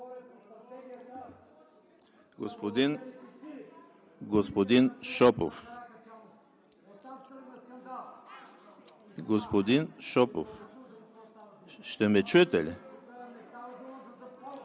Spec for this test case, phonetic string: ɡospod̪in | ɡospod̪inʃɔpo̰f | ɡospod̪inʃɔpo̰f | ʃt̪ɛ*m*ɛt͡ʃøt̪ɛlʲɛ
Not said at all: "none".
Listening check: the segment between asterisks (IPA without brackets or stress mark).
m